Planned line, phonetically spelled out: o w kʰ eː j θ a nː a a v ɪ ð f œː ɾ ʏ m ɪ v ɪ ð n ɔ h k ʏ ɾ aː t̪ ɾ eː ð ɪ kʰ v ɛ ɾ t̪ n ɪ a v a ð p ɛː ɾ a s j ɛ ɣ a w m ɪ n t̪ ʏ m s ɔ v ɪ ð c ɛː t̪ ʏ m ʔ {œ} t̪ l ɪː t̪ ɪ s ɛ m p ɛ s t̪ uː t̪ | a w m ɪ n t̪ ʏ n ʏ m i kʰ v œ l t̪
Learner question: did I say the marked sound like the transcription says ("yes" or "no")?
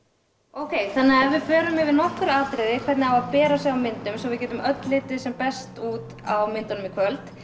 yes